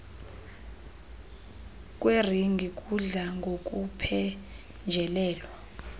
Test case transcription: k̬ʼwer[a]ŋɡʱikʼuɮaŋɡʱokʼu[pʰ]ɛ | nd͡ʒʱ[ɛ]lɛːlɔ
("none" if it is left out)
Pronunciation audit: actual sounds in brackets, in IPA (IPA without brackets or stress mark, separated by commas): i, pʰ, ɛ